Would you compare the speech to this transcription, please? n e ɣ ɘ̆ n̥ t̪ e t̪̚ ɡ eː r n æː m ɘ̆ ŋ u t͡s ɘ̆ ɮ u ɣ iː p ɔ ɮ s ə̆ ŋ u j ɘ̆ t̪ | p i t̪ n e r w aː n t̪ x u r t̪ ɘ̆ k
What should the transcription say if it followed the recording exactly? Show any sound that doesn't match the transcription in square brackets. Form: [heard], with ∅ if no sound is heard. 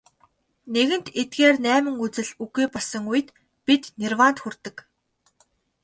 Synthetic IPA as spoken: n e ɣ ɘ̆ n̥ t̪ e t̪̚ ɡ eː r n æː m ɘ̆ ŋ u t͡s ɘ̆ ɮ u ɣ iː p ɔ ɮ s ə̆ ŋ u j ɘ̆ t̪ | p i t̪ n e r w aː n t̪ x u r t̪ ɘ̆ k